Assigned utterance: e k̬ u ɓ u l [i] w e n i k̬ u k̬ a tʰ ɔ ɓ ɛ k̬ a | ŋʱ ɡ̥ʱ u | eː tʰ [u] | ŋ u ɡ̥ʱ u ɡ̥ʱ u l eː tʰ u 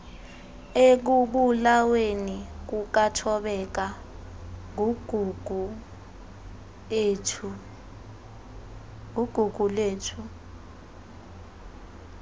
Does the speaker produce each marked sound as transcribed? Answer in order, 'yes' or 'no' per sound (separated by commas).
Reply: no, yes